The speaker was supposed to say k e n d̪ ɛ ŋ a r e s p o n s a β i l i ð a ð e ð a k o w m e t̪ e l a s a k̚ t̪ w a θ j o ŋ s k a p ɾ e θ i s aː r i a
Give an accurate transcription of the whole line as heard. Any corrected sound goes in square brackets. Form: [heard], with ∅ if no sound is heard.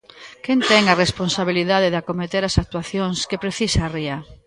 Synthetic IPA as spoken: k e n [t̪] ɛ ŋ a r e s p o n s a β i l i ð a ð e ð a k o [∅] m e t̪ e [ɾ] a s a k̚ t̪ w a θ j o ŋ s k [e] p ɾ e θ i s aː r i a